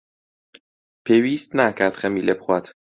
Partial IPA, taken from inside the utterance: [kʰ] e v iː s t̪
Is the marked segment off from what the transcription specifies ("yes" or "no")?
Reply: yes